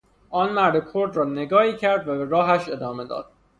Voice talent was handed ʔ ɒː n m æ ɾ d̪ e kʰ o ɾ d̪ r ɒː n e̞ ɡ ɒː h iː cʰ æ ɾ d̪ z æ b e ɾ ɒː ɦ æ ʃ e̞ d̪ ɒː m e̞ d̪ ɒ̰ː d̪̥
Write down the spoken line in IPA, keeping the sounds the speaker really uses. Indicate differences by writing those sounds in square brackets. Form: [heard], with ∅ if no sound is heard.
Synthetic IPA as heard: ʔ ɒː n m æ ɾ d̪ e kʰ o ɾ d̪ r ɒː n e̞ ɡ ɒː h iː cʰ æ ɾ d̪ [v] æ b e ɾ ɒː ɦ æ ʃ e̞ d̪ ɒː m e̞ d̪ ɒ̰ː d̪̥